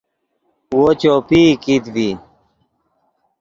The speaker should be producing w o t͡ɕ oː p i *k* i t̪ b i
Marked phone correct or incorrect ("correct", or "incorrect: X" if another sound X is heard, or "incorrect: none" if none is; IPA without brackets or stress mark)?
correct